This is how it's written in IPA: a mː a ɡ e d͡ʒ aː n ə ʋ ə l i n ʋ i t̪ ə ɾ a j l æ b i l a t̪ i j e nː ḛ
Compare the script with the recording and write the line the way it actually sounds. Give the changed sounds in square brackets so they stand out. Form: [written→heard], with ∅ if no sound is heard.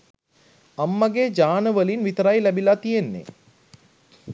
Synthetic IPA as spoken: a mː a ɡ e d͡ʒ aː n ə ʋ ə l i n ʋ i t̪ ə ɾ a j l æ b i l a t̪ i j e nː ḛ